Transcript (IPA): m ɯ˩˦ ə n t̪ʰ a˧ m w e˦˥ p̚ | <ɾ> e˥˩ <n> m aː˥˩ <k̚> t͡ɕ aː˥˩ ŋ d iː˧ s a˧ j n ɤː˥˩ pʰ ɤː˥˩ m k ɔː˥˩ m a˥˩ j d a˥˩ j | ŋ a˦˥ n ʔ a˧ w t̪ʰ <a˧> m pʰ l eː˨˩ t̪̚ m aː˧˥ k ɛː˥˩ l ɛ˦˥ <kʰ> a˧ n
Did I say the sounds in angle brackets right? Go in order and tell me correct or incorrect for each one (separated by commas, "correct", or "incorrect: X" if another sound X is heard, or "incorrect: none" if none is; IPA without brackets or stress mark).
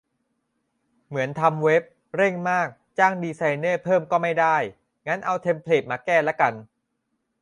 correct, incorrect: ŋ, correct, incorrect: e˧, incorrect: k